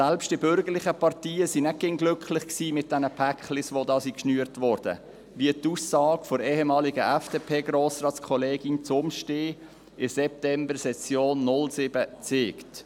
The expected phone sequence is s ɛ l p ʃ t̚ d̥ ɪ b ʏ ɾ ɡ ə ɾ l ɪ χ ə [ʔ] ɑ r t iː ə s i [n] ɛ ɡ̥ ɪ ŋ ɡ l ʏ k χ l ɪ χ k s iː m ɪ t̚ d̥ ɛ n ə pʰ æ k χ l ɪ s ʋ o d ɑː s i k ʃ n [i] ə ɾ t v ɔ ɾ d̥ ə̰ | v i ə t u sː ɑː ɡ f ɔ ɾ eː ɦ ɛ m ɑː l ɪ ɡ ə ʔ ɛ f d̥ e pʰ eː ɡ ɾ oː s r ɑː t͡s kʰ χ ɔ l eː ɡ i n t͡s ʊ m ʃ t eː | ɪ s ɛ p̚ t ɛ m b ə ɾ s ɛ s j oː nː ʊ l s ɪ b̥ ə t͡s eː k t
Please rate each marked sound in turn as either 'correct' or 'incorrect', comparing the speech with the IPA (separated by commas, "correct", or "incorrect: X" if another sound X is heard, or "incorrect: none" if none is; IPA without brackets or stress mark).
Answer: incorrect: p, correct, incorrect: y